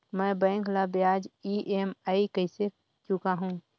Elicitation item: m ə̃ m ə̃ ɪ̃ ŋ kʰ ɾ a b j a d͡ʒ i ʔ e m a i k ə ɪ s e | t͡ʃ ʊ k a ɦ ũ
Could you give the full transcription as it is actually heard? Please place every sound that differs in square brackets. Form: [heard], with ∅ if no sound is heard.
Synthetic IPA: m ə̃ [b] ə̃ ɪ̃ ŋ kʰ [l] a b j a d͡ʒ i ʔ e m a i k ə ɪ s e | t͡ʃ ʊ k a ɦ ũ